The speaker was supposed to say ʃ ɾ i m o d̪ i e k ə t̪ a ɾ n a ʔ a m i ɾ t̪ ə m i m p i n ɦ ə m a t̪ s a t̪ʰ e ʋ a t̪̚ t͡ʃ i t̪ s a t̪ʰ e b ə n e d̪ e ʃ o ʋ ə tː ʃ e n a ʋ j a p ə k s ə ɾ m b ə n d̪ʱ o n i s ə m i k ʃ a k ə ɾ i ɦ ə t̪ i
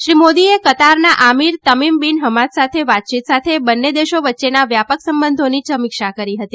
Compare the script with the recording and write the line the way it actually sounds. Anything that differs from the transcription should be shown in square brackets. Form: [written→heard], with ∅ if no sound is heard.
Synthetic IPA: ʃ ɾ i m o d̪ i e k ə t̪ a ɾ n a ʔ a m i ɾ t̪ ə m i m [p→b] i n ɦ ə m a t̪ s a t̪ʰ e ʋ a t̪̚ t͡ʃ i t̪ s a t̪ʰ e b ə [n→nː] e d̪ e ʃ o ʋ ə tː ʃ e n a ʋ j a p ə k s ə [ɾ→∅] m b ə n d̪ʱ o n i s ə m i k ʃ a k ə ɾ i ɦ ə t̪ i